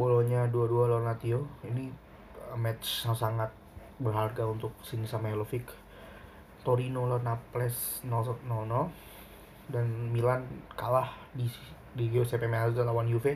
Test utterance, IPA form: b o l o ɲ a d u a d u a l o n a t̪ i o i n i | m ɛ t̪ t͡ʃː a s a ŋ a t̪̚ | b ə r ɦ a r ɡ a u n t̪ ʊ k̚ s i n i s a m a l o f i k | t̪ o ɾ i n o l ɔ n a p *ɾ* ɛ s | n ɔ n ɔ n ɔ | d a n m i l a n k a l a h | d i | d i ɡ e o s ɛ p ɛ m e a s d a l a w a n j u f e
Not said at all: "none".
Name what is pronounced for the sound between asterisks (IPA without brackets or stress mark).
l